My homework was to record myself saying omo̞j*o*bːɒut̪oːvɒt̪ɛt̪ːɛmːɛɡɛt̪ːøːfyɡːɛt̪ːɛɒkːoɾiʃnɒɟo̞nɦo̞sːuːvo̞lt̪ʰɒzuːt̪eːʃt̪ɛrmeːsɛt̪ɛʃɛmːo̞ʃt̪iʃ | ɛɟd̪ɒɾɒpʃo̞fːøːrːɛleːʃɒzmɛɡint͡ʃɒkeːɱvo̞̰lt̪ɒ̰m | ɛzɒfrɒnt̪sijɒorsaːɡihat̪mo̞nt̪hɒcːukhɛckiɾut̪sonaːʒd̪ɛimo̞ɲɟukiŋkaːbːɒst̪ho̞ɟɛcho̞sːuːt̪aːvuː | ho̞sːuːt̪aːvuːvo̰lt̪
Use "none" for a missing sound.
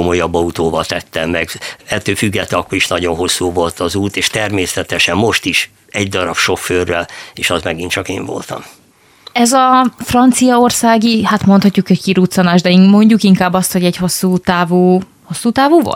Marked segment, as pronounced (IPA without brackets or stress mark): ɒ